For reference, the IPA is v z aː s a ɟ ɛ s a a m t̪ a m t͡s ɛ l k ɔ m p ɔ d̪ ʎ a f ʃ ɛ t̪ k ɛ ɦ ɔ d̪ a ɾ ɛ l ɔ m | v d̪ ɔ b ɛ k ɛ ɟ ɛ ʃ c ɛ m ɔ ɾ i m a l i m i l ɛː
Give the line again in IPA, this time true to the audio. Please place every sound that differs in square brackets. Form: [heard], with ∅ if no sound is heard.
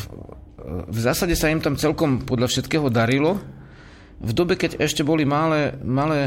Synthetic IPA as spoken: v z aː s a ɟ ɛ s a [i] m t̪ a m t͡s ɛ l k ɔ m p ɔ d̪ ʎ a f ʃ ɛ t̪ k [ɛː] ɦ ɔ d̪ a ɾ [i] l ɔ [∅] | v d̪ ɔ b ɛ k ɛ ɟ ɛ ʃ c ɛ [b] ɔ [l] i m a l [ɛ] m [a] l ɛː